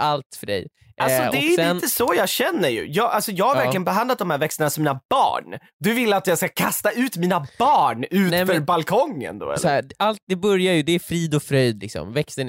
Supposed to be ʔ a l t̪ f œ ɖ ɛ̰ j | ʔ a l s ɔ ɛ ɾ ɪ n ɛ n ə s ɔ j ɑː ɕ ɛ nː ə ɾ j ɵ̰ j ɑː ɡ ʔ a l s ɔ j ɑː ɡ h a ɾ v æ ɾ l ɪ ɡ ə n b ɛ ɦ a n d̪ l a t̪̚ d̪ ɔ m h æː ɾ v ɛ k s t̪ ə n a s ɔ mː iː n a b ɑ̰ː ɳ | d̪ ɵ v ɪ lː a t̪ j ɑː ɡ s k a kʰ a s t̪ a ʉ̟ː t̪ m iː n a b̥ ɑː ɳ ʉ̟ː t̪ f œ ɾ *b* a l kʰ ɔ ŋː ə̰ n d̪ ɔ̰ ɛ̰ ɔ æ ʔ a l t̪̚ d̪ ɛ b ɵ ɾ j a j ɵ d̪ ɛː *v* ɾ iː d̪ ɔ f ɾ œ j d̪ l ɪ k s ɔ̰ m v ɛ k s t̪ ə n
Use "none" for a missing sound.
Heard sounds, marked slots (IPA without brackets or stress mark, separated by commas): b, f